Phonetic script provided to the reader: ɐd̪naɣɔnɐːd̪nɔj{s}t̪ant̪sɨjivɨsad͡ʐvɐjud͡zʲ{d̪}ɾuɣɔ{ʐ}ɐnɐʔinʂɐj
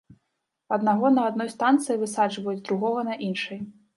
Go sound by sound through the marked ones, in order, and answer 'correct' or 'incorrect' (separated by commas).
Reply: correct, correct, incorrect